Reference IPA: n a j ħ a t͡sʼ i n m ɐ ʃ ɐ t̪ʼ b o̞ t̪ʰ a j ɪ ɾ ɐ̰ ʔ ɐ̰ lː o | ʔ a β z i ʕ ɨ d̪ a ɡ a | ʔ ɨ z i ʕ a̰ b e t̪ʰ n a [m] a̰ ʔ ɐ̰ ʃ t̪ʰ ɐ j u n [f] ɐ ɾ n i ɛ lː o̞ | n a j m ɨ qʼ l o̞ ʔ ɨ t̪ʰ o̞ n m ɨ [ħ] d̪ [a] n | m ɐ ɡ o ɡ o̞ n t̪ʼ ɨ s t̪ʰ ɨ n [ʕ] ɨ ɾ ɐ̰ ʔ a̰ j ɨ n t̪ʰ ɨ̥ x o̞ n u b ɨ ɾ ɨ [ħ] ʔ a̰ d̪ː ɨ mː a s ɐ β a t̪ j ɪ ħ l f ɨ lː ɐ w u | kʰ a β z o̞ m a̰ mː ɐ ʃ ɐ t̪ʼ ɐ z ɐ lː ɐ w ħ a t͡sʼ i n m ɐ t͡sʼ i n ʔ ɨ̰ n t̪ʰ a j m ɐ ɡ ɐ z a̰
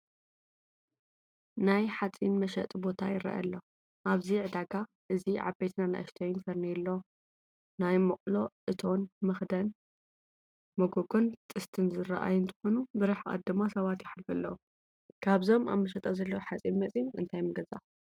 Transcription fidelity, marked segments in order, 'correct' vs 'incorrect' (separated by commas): incorrect, correct, incorrect, incorrect, incorrect, correct